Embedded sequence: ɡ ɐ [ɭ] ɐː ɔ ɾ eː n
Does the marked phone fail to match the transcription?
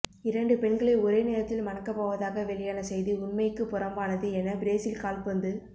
no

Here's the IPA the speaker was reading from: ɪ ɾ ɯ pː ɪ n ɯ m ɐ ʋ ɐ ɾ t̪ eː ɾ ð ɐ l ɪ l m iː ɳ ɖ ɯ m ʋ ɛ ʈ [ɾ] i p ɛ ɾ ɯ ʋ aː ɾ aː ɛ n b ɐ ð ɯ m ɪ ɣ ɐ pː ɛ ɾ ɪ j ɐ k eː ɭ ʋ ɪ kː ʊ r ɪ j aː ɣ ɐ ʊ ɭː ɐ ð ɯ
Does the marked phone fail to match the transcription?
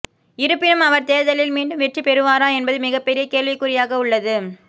yes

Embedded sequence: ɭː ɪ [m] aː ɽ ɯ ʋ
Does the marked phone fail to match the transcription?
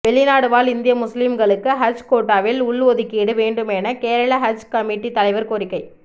yes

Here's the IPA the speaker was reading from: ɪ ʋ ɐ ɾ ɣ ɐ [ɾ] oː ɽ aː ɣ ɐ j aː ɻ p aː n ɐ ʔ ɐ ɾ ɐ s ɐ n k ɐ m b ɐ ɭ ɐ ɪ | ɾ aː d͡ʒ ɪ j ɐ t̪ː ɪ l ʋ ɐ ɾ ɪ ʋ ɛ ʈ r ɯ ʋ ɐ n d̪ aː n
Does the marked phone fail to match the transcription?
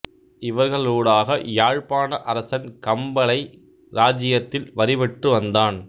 yes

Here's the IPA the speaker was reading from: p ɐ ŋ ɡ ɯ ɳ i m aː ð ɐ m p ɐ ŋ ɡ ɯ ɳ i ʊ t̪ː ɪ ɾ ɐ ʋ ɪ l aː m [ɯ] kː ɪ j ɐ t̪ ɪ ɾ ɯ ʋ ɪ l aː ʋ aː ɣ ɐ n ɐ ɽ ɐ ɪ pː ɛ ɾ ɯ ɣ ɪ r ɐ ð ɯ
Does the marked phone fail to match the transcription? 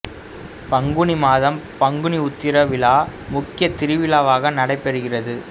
yes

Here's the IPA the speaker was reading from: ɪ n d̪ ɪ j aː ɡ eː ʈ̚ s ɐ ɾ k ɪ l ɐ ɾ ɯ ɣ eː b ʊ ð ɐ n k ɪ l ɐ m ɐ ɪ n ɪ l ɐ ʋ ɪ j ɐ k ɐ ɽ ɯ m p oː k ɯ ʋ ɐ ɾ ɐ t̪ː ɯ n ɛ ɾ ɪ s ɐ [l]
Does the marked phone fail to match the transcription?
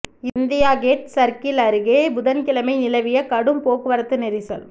no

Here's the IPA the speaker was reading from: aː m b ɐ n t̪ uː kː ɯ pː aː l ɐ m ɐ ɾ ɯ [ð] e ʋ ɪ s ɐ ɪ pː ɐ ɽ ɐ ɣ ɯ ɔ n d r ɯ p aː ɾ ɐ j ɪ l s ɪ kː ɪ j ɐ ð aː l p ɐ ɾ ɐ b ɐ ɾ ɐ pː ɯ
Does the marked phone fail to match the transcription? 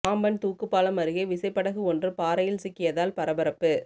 yes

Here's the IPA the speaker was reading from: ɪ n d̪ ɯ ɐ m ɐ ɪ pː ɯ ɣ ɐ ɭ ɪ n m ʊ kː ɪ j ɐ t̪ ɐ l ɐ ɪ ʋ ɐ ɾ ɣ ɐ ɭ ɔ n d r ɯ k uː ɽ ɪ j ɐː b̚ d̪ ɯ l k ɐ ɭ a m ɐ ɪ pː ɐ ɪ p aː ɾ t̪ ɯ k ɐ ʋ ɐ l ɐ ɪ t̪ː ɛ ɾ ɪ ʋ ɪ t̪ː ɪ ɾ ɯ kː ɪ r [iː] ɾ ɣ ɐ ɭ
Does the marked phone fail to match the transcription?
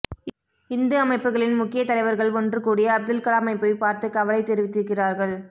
yes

